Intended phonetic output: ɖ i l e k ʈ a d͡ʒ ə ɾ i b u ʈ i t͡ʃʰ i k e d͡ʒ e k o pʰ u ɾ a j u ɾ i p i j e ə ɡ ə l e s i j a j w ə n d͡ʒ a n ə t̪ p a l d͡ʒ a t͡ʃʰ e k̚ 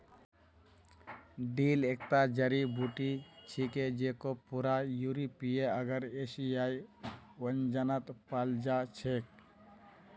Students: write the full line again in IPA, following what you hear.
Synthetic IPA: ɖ i l e k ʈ a d͡ʒ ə ɾ i b u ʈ i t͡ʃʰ i k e d͡ʒ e k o p u ɾ a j u ɾ i p i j e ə ɡ ə ɾ e s i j a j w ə n d͡ʒ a n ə t̪ p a l d͡ʒ a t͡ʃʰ e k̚